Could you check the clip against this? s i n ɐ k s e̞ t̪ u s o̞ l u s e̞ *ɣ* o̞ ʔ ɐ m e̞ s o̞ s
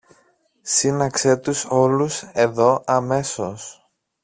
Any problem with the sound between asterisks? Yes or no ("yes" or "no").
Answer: yes